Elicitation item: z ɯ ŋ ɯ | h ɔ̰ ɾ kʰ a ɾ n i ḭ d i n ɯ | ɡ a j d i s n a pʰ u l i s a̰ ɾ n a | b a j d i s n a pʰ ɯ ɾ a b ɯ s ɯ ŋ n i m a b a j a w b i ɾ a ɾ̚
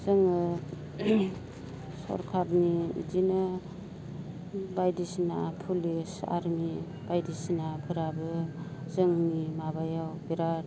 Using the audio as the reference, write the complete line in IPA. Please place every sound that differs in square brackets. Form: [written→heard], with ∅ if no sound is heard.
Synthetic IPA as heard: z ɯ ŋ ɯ | [h→s] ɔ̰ ɾ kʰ a ɾ n i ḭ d i n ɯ | [ɡ→b] a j d i s n a pʰ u l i s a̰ ɾ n [a→i] | b a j d i s n a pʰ ɯ ɾ a b ɯ [s→z] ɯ ŋ n i m a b a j a w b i ɾ a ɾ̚